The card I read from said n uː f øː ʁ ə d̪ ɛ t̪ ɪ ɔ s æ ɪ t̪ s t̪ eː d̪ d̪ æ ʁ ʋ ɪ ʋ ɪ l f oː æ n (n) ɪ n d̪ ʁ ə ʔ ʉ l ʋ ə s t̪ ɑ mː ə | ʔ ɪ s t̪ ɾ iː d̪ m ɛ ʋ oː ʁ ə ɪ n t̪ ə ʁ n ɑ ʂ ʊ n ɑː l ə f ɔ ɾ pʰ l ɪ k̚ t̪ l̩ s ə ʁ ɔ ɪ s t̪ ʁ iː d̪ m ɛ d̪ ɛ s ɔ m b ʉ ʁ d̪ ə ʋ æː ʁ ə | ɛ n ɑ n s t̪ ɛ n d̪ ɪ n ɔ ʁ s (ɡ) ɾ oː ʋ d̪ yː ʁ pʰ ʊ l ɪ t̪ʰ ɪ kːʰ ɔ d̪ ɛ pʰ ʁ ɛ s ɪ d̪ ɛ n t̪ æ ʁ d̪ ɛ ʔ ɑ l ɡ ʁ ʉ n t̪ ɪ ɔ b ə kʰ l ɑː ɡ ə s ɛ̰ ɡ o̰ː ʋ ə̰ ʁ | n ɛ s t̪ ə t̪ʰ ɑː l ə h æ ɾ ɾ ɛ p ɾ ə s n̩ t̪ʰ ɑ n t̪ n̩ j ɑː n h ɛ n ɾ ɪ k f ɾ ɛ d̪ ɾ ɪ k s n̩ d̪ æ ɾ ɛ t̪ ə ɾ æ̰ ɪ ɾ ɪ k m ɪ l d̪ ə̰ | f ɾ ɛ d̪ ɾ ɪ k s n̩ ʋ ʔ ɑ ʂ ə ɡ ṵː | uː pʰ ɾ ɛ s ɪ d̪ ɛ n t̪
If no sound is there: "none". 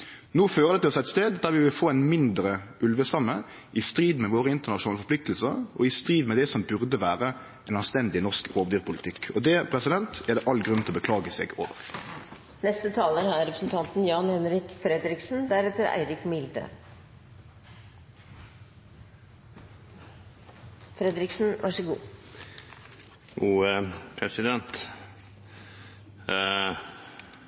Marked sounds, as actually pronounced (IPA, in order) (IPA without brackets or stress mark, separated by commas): m, k